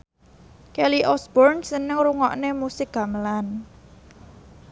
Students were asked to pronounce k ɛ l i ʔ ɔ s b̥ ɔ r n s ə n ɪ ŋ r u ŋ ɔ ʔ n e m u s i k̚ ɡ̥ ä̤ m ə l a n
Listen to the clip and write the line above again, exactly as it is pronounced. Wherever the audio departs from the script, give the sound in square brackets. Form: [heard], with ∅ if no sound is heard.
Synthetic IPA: k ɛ l i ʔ ɔ s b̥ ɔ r n s ə n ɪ ŋ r u ŋ ɔ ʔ n e m u s [ɪ] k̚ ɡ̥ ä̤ m ə l a n